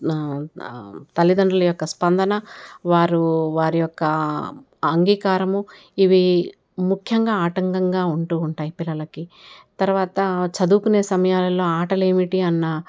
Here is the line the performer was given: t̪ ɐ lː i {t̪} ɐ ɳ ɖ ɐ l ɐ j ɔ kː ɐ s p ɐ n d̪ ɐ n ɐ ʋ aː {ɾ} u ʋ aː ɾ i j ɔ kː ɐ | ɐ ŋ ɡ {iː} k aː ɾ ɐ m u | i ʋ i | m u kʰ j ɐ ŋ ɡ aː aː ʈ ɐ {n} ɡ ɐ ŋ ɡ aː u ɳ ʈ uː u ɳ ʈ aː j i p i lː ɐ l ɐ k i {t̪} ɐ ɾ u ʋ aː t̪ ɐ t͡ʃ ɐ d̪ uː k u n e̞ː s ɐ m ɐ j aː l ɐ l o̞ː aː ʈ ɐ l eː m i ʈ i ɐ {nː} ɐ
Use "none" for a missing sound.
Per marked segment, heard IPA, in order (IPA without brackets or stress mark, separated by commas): d̪, ɾ, iː, ŋ, t̪, nː